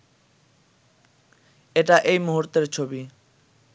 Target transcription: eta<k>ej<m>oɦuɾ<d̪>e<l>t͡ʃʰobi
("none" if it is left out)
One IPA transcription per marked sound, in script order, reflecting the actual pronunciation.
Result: ʔ, m, t̪, ɾ

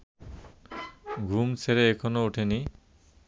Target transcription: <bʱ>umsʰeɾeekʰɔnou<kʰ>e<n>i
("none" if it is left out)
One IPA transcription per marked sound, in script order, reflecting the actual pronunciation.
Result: ɡʱ, ʈʰ, n

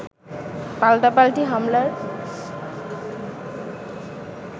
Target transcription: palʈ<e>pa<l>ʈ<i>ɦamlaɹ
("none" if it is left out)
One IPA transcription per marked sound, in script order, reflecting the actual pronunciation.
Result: a, l, i

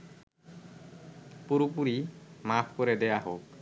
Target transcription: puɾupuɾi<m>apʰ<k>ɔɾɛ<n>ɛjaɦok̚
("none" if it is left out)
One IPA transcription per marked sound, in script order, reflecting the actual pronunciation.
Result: m, k, d

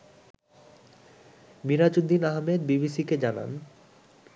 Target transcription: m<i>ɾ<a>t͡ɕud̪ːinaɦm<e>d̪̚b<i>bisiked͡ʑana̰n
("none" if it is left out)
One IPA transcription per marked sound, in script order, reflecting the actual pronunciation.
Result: i, a, e, i

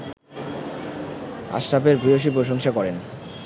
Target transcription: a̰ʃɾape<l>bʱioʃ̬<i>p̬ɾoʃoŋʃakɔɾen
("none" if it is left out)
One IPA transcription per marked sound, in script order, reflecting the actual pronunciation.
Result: ɾ, i

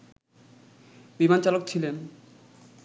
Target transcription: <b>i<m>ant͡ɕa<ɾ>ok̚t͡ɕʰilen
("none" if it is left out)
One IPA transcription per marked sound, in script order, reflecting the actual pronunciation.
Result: b, m, l

